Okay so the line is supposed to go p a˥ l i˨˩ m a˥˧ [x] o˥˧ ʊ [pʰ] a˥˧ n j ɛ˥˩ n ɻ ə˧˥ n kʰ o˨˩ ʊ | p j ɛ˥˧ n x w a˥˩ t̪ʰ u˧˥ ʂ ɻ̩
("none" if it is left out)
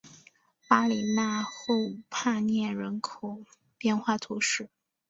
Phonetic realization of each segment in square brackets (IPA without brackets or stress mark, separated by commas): x, pʰ